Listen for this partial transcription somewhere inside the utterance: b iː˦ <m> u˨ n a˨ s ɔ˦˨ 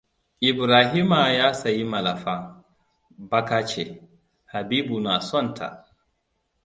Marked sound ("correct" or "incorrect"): incorrect